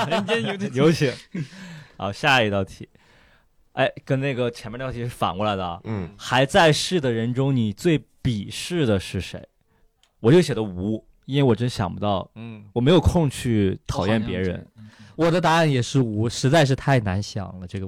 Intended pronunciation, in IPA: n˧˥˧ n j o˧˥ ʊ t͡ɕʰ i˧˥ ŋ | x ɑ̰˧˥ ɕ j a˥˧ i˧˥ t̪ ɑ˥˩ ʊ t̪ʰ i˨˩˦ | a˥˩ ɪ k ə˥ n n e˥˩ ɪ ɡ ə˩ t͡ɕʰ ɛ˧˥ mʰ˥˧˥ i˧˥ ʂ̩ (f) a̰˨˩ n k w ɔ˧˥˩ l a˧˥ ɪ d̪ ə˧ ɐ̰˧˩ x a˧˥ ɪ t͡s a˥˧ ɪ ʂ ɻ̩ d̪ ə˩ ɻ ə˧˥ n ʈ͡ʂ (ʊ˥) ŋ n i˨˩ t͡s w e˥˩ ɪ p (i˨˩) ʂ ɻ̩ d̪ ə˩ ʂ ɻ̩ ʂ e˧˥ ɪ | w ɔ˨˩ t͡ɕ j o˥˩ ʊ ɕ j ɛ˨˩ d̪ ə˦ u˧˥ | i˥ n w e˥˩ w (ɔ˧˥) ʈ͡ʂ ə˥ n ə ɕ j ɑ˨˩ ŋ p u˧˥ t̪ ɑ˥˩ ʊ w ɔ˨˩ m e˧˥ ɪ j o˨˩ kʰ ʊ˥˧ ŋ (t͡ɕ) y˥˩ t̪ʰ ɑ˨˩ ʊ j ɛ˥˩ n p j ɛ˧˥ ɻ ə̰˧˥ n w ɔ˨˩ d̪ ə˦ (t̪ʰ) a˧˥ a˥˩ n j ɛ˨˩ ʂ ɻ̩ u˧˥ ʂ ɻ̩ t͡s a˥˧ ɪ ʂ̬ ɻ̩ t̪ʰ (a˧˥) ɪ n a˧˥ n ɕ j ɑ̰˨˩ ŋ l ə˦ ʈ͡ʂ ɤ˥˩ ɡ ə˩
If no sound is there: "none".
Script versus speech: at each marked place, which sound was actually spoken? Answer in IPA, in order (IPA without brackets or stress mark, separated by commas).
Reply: f, ʊ˥, i˨˩, ɔ˨˩, t͡ɕʰ, t̪, a˥˩